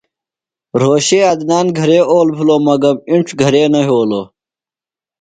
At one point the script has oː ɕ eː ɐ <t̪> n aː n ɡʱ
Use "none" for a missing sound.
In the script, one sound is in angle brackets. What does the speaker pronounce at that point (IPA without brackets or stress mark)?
d̪